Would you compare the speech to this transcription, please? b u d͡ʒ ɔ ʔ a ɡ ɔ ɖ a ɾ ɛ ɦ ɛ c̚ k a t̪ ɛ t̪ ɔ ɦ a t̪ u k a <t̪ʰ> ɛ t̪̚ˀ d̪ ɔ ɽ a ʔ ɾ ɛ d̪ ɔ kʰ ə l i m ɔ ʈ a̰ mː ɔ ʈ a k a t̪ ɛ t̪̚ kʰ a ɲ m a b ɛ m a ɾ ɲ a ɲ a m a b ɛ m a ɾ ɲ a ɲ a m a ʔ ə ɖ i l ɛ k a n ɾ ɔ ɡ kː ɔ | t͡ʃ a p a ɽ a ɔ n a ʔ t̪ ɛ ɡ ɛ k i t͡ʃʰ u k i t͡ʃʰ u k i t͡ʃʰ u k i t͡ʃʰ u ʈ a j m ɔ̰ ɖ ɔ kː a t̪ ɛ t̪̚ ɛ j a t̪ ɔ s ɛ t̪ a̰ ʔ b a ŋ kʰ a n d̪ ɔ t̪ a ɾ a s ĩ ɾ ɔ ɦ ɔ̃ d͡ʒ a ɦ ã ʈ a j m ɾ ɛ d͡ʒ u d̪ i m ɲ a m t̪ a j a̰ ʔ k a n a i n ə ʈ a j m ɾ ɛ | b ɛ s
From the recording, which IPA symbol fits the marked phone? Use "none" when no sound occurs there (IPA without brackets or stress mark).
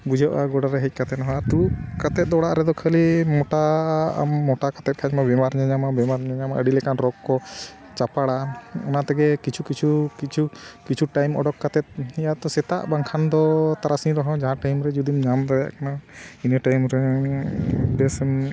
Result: t̪